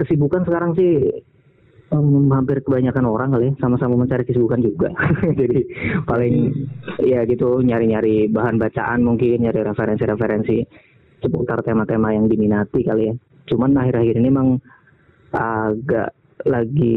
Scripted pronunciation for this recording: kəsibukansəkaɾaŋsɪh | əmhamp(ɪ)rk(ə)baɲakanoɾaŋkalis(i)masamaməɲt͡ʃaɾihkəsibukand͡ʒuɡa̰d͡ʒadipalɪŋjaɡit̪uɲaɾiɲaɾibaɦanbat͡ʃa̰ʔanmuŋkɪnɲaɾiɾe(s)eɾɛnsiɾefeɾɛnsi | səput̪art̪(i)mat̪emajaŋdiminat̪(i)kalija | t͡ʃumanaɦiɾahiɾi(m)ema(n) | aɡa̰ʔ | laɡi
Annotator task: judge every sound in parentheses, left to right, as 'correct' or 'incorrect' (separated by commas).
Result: correct, correct, incorrect, incorrect, incorrect, correct, incorrect, incorrect